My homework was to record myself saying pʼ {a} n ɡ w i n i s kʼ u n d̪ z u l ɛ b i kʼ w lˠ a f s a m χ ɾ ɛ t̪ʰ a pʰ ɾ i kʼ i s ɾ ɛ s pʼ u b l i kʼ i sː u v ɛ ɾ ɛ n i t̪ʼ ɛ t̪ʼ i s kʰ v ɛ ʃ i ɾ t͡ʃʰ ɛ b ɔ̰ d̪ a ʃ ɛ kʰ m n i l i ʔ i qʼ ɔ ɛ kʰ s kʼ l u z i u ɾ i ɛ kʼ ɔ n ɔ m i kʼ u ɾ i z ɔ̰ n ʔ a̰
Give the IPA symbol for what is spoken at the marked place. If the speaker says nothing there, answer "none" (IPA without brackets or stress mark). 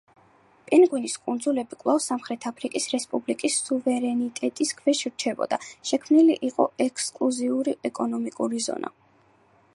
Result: ɛ